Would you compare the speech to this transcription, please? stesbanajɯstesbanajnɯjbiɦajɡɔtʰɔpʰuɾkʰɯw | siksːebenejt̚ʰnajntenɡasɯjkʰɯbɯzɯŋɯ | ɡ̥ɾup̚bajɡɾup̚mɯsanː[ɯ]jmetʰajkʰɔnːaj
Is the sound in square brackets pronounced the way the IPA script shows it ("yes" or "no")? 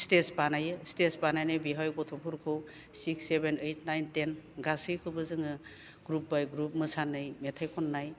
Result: yes